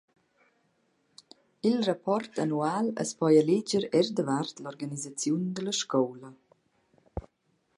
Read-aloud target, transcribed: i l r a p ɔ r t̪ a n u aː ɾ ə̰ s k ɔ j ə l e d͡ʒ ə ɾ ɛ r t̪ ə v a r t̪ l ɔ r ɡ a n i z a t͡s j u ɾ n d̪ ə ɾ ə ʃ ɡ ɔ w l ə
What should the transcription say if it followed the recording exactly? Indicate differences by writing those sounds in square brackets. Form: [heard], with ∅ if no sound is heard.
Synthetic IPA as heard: i l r a p ɔ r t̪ a n u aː [l] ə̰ s [p] ɔ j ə l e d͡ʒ ə ɾ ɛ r [d̪] ə v a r t̪ l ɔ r ɡ a n i z a t͡s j u [∅] n d̪ ə [l] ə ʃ [k] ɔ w l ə